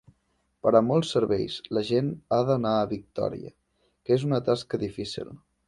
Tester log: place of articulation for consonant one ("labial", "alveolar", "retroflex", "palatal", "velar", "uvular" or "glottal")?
labial